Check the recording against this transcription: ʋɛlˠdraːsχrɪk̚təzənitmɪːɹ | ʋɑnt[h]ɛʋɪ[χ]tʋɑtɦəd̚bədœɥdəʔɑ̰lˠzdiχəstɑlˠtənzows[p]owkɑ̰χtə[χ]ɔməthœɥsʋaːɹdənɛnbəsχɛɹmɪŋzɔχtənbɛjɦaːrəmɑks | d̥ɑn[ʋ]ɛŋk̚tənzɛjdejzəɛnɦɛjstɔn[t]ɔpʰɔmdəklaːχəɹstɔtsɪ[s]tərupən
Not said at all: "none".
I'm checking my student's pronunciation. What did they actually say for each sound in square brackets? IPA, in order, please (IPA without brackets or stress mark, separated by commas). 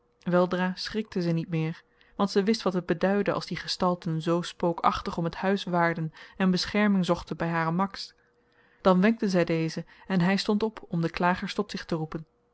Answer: s, s, p, χ, ʋ, t, χ